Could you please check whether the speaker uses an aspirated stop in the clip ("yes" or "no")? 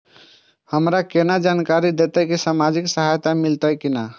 no